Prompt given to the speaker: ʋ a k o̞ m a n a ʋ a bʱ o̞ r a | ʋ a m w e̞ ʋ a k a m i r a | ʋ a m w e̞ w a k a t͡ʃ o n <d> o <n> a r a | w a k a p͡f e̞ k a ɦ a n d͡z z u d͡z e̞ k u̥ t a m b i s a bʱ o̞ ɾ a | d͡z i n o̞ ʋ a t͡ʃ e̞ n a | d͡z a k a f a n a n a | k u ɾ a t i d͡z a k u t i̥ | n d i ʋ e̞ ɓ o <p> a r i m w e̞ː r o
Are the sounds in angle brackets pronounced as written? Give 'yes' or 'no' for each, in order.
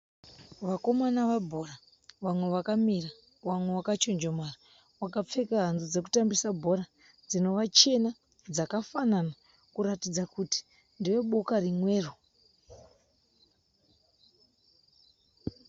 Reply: no, no, no

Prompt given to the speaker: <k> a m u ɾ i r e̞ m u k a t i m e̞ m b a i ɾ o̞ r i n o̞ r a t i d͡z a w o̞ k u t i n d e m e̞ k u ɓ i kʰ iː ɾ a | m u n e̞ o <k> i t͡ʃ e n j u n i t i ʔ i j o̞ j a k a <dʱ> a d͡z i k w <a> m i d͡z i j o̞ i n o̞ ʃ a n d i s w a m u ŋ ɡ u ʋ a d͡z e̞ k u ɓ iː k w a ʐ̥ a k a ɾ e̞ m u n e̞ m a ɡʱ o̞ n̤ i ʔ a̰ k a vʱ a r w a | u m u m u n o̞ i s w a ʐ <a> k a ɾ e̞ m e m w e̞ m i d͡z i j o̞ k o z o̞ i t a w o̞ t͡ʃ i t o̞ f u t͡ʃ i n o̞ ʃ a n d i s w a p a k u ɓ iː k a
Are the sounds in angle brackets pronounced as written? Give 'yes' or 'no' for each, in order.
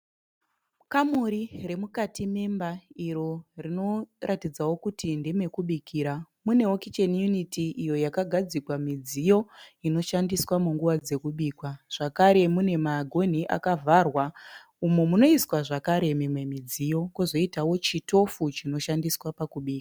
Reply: yes, yes, no, yes, yes

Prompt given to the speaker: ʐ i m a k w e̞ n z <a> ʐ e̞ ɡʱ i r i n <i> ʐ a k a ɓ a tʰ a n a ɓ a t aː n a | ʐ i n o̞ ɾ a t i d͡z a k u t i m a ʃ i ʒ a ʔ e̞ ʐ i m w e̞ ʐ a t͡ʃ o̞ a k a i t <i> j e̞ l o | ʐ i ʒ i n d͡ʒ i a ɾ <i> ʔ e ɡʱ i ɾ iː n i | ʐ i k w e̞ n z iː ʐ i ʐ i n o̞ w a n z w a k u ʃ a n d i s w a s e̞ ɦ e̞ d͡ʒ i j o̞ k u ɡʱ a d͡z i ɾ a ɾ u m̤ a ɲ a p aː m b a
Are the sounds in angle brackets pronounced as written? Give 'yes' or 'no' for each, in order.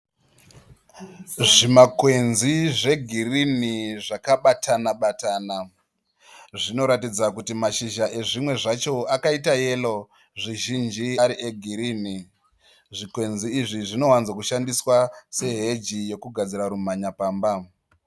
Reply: no, yes, no, yes

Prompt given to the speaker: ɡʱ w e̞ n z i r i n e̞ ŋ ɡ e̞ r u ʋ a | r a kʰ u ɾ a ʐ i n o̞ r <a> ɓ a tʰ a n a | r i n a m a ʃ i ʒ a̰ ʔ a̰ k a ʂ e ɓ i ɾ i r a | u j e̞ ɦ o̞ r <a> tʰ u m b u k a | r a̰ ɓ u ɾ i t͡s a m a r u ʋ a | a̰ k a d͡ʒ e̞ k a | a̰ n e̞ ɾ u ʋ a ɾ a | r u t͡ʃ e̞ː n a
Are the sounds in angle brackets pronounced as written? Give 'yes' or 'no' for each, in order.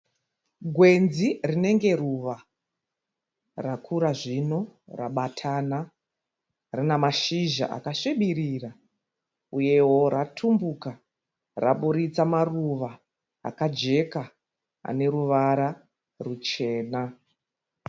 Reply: yes, yes

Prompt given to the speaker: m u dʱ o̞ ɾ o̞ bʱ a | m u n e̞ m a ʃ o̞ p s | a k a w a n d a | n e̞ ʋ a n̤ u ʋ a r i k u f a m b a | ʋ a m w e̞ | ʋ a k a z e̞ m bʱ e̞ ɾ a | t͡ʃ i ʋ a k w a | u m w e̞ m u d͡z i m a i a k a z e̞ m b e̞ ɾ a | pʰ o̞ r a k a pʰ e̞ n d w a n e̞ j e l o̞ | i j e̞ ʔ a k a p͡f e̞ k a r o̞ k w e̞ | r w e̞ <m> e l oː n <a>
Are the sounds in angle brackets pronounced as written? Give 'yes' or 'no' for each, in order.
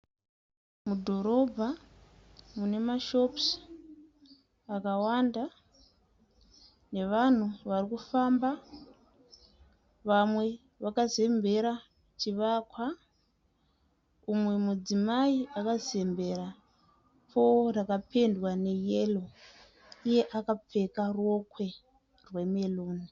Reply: yes, no

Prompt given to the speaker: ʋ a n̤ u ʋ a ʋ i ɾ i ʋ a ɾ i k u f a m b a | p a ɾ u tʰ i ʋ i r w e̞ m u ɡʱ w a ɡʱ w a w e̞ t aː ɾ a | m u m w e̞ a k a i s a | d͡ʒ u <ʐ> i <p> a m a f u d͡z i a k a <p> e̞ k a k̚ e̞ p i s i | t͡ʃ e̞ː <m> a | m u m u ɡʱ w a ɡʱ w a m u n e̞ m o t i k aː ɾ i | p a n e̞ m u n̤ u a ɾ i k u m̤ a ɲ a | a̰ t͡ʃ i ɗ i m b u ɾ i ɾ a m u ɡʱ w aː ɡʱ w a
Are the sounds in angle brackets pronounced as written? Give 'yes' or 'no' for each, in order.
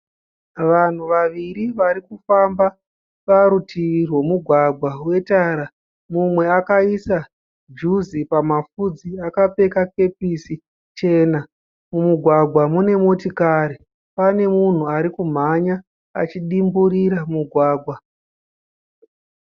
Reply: no, yes, yes, no

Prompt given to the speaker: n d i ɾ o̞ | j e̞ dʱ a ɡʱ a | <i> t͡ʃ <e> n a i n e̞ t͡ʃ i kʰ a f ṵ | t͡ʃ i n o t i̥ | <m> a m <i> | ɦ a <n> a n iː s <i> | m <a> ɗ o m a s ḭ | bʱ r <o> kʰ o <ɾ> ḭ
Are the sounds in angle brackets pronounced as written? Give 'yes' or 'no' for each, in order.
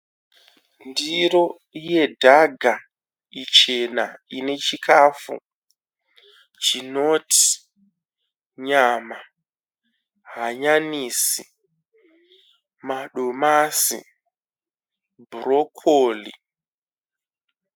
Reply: yes, yes, no, no, no, yes, yes, yes, no

